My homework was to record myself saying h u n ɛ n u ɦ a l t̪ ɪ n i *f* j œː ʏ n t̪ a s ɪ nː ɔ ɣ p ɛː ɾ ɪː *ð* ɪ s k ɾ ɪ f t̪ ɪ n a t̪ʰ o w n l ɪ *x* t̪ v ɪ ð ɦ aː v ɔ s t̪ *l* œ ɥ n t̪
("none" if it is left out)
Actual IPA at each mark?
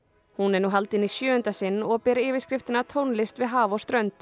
s, v, s, ɾ

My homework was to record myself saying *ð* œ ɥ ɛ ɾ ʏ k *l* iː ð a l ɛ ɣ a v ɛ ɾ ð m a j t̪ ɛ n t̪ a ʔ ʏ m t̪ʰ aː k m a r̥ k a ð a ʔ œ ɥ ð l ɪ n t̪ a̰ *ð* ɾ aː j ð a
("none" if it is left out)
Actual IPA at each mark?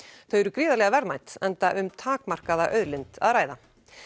θ, ɾ, ð

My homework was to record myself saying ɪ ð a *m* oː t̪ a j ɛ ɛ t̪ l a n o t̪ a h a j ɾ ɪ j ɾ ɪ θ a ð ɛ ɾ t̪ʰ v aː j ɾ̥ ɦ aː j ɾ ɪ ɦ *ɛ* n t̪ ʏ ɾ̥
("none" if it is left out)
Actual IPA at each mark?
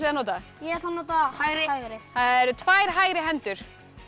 n, ɛ

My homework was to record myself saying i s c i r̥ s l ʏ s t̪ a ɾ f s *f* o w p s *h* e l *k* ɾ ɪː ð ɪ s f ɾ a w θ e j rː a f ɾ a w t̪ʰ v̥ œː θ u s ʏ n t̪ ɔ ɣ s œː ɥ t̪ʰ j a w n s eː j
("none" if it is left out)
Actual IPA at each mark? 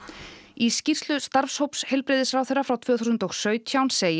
h, h, p

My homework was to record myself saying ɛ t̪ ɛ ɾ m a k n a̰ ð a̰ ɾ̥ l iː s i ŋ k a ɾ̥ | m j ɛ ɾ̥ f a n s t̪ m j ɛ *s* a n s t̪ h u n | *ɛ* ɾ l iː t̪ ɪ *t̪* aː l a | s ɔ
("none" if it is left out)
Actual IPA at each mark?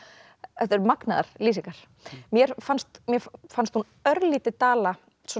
f, œ, t̪

